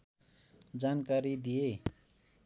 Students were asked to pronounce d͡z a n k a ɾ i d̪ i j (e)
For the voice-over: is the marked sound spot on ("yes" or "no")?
yes